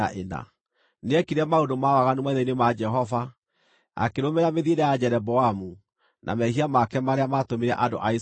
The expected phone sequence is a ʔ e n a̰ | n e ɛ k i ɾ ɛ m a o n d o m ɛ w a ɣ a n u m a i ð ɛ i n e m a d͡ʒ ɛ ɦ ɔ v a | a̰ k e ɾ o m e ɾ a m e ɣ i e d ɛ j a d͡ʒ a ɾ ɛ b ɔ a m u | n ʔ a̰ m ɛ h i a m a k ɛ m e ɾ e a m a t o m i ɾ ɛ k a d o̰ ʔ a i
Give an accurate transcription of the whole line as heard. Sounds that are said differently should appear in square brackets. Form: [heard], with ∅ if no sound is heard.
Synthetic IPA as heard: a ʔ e n a̰ | n e ɛ k i ɾ ɛ m a o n d o m [a] w a ɣ a n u m a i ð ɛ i n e m a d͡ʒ ɛ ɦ ɔ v a | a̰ k e ɾ o m e ɾ a m e [ð] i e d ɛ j a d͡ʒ [ɛ] ɾ ɛ b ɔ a m u | n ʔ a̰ m ɛ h i a m a k ɛ m [a] ɾ e a m a t o m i ɾ ɛ [ʔ] a d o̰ ʔ a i